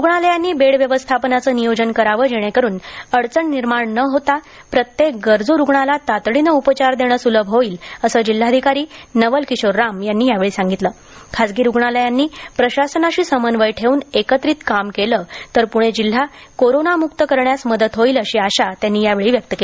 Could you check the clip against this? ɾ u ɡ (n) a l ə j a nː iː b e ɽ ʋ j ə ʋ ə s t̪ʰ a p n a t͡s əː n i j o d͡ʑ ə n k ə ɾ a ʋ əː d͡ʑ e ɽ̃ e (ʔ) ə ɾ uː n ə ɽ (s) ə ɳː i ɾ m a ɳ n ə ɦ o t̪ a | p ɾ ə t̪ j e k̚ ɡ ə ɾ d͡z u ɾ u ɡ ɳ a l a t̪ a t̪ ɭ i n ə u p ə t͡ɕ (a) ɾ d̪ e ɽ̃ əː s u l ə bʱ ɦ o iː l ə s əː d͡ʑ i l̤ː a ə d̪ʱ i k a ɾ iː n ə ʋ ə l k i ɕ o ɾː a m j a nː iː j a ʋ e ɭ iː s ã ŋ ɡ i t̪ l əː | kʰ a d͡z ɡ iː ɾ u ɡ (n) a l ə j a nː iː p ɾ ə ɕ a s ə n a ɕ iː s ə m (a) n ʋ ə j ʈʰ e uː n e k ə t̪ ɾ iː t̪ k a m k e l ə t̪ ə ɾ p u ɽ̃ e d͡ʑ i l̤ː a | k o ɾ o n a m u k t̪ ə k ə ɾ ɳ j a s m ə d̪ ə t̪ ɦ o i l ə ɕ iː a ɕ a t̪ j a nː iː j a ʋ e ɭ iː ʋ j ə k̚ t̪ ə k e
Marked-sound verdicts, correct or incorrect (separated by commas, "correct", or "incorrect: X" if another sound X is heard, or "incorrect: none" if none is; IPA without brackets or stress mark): incorrect: ɳ, incorrect: k, incorrect: t͡s, correct, incorrect: ɳ, incorrect: ə